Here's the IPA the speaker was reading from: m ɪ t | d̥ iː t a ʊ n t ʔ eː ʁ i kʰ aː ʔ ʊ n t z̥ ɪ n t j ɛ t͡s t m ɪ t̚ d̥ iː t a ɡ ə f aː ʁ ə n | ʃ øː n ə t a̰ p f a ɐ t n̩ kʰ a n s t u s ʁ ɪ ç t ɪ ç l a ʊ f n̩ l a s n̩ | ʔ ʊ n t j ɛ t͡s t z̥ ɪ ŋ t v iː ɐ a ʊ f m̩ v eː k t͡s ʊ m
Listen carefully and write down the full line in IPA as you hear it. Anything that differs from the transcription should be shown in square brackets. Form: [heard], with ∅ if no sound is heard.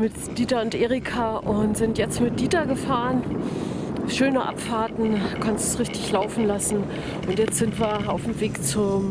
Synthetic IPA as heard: m ɪ t | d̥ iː t a ʊ n t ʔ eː ʁ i kʰ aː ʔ ʊ n t z̥ ɪ n t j ɛ t͡s t m ɪ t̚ d̥ iː t a ɡ ə f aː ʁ ə n | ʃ øː n ə [ʔ] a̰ p f a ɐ t n̩ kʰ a n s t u s ʁ ɪ ç t ɪ ç l a ʊ f n̩ l a s n̩ | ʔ ʊ n t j ɛ t͡s t z̥ ɪ [n] t v iː ɐ a ʊ f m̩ v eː k t͡s ʊ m